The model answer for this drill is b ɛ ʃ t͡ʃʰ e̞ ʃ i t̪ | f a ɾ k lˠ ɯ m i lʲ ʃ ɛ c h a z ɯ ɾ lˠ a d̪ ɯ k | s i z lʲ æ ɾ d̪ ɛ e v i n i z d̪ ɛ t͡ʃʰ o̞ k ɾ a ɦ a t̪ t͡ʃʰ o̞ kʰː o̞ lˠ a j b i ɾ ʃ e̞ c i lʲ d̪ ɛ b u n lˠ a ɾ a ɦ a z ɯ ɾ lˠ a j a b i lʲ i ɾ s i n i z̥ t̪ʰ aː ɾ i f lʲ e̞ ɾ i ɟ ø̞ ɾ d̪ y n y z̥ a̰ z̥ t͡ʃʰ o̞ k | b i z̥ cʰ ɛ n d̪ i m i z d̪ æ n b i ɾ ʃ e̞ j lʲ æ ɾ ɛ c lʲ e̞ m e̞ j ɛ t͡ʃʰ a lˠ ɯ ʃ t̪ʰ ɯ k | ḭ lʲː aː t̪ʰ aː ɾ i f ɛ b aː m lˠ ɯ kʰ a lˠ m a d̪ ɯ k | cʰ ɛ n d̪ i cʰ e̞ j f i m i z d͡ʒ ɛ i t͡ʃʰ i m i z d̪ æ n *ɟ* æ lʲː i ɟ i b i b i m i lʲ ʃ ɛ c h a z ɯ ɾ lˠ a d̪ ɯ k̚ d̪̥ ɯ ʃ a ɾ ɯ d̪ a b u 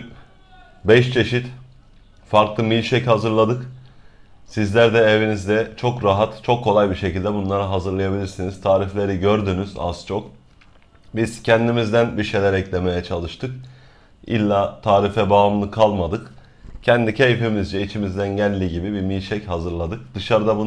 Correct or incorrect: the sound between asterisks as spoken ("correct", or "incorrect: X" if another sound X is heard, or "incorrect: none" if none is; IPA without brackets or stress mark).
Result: correct